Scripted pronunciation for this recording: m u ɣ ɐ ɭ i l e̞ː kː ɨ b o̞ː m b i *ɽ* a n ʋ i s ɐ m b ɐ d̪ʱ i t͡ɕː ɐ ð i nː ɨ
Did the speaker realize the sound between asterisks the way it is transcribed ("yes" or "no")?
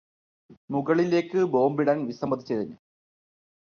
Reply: yes